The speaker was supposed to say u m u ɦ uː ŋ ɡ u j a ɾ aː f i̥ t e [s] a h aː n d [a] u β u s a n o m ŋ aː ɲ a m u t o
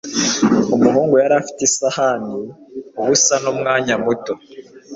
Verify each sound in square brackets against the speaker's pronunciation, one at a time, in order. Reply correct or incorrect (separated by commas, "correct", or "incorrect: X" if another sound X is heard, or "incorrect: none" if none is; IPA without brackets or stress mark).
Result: correct, incorrect: i